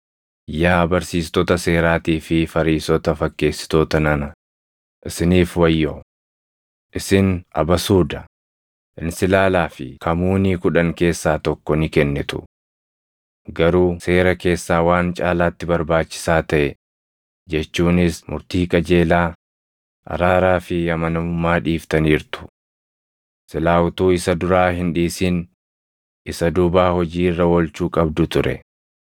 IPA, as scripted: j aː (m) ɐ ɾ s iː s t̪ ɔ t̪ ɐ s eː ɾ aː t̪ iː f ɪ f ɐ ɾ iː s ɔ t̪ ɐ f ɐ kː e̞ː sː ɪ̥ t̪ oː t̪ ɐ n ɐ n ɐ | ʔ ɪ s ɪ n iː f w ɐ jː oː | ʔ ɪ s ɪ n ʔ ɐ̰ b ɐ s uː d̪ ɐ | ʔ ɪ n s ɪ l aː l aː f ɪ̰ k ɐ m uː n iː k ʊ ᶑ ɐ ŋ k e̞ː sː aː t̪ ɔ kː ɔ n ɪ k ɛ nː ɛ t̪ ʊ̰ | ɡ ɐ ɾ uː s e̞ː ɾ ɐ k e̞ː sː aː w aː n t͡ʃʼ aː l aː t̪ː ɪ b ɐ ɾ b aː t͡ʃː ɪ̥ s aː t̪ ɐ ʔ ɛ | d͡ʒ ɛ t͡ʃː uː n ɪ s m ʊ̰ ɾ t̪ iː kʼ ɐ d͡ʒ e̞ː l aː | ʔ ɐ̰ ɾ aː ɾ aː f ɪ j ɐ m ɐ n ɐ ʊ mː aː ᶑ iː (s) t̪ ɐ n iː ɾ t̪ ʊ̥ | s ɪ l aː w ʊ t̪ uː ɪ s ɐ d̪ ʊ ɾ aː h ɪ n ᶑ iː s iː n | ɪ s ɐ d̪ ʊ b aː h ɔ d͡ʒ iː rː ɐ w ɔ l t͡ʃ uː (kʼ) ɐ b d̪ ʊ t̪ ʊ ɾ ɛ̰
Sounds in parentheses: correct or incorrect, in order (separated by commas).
incorrect, incorrect, correct